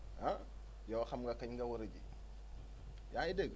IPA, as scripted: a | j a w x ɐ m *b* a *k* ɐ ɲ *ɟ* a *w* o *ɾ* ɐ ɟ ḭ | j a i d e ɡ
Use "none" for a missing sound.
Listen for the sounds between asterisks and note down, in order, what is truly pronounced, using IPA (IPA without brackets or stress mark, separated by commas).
ɡ, k, ɡ, w, ɾ